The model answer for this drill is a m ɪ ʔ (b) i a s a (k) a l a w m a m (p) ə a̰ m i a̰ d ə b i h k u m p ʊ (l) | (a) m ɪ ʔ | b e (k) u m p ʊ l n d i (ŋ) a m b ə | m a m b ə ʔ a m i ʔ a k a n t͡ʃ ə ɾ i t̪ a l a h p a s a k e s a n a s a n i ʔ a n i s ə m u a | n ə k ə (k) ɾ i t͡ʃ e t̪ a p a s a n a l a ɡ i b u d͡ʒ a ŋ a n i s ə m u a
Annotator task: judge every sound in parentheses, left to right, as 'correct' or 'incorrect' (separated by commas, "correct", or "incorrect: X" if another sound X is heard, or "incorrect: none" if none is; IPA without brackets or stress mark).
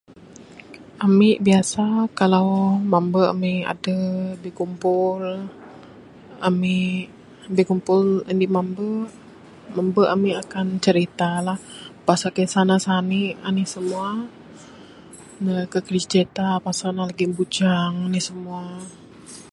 correct, correct, incorrect: b, correct, correct, correct, incorrect: m, correct